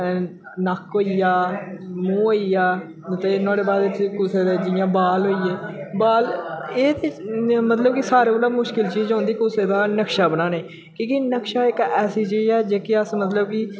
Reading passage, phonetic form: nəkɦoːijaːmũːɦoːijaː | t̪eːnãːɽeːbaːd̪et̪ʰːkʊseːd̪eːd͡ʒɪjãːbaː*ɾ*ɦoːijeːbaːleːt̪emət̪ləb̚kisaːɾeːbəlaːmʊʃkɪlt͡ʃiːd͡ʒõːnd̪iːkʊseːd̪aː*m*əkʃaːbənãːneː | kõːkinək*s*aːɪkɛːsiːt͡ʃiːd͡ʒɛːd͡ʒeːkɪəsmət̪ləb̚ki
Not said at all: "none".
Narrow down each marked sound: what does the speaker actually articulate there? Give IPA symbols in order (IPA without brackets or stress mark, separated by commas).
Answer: l, n, ʃ